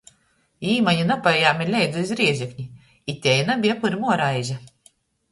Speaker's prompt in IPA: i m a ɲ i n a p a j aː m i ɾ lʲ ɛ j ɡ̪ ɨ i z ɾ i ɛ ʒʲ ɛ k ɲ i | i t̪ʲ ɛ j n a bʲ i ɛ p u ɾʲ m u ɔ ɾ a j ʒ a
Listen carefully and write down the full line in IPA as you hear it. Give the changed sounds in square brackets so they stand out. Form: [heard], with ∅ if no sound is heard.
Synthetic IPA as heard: [iː] m a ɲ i n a p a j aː m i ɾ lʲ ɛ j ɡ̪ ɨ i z ɾ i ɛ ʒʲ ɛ k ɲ i | i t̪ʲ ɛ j n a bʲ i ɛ p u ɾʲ m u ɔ ɾ a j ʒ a